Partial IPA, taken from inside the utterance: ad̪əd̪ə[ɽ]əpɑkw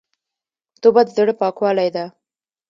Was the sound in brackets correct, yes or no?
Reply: yes